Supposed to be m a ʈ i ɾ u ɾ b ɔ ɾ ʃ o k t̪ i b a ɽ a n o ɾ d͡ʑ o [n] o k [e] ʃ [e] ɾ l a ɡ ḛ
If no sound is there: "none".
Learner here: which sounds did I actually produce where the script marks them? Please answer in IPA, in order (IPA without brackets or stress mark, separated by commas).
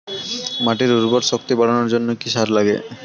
nː, i, a